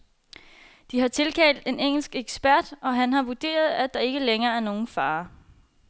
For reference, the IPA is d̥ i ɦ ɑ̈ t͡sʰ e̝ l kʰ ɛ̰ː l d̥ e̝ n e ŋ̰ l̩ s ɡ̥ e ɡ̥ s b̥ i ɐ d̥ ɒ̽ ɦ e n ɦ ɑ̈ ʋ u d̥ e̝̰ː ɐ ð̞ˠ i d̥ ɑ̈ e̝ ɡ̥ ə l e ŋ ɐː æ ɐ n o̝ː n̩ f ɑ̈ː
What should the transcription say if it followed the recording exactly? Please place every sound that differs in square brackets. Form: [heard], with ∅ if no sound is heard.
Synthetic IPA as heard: d̥ i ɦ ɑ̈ t͡sʰ e̝ l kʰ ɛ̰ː l d̥ e̝ n e ŋ̰ l̩ s ɡ̥ e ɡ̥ s b̥ [æ] ɐ d̥ ɒ̽ ɦ [æ] n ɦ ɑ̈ ʋ u d̥ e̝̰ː ɐ ð̞ˠ [æ] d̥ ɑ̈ e̝ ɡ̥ ə l e ŋ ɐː æ ɐ n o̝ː n̩ f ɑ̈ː